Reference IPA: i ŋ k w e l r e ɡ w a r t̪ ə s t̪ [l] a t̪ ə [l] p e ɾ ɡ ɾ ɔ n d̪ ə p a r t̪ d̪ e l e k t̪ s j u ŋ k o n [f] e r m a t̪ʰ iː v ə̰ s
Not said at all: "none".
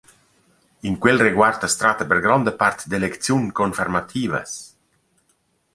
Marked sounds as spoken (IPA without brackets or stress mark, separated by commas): ɾ, none, f